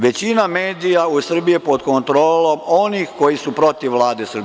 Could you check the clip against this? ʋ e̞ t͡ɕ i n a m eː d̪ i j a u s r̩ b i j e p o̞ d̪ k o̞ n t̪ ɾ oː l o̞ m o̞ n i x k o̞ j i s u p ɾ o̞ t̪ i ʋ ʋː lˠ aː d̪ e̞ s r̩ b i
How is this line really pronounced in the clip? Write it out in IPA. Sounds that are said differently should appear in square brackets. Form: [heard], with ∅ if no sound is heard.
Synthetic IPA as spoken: ʋ e̞ t͡ɕ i n a m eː d̪ i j a u s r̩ b i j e p o̞ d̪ k o̞ n t̪ ɾ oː l o̞ m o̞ n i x k o̞ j i s u p ɾ o̞ t̪ i ʋ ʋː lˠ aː d̪ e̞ s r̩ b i